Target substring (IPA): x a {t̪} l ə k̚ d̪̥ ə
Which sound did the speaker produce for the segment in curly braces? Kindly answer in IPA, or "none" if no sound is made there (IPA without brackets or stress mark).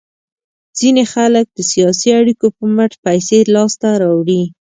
none